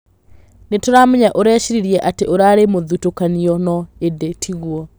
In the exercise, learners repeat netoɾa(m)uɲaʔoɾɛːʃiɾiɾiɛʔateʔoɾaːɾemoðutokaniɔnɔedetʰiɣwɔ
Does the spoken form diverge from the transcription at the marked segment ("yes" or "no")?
no